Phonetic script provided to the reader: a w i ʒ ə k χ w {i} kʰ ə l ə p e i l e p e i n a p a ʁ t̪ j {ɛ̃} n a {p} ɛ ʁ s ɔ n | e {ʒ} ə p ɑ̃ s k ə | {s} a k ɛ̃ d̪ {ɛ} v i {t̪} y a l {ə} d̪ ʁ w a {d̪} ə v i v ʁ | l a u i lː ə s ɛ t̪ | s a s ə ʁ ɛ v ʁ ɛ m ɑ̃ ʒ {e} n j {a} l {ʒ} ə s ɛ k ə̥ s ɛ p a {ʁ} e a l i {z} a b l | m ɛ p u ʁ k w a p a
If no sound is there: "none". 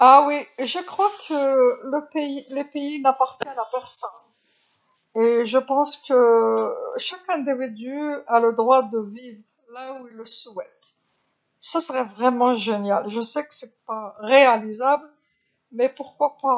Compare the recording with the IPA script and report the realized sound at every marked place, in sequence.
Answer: a, ɛ, p, ʒ, ʃ, i, d̪, ə, d̪, e, a, ʒ, ʁ, z

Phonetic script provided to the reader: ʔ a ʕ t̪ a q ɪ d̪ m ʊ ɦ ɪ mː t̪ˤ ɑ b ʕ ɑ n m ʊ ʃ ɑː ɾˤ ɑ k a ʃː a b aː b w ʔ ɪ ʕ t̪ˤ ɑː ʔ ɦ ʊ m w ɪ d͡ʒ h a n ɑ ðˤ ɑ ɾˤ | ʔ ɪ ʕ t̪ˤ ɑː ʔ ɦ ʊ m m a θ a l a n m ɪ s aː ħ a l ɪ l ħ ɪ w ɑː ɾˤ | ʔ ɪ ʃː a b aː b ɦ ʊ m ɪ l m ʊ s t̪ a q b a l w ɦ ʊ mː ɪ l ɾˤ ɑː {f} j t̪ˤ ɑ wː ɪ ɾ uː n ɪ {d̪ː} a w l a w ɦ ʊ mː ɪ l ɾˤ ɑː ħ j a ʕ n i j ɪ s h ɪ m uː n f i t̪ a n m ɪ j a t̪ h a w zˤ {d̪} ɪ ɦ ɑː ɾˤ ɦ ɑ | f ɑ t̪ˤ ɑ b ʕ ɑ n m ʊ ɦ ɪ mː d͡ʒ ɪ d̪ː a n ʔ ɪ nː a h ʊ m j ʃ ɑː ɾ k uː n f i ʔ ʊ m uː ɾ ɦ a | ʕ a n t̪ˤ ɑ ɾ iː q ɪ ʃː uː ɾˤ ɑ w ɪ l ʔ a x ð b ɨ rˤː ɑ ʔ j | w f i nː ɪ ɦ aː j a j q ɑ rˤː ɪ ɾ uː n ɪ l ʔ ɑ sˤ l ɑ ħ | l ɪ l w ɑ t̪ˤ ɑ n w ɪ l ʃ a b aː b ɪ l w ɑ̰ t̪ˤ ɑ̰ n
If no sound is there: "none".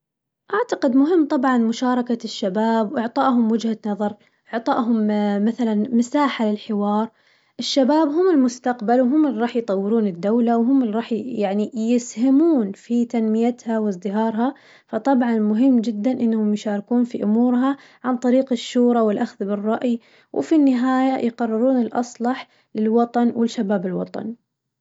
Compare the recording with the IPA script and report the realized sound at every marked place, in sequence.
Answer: ħ, d̪ː, d̪

